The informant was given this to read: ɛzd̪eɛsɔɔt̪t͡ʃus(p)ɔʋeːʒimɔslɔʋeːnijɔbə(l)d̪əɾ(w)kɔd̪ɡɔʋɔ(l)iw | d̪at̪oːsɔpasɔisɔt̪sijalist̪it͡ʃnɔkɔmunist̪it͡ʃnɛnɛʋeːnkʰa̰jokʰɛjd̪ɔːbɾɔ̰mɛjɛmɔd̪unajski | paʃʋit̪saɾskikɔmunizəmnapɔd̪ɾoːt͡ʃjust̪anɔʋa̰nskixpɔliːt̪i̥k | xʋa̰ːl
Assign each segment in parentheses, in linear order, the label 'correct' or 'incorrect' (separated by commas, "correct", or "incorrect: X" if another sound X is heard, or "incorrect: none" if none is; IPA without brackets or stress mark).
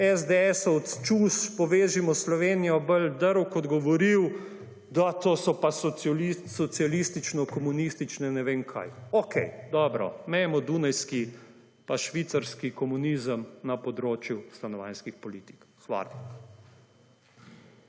correct, correct, correct, incorrect: ɾ